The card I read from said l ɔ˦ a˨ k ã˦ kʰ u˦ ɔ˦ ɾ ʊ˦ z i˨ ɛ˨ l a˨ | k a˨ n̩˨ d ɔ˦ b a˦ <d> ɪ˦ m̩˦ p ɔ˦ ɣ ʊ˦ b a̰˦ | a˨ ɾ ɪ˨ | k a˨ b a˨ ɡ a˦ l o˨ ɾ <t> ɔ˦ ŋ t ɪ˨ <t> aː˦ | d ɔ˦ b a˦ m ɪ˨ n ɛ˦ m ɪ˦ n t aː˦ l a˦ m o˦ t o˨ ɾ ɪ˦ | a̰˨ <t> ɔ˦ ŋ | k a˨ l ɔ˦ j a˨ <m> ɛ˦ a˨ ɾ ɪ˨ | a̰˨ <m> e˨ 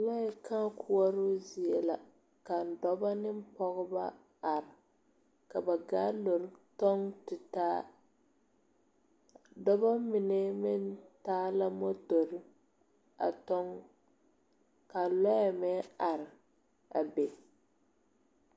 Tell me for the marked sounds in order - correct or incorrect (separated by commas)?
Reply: incorrect, correct, correct, correct, correct, incorrect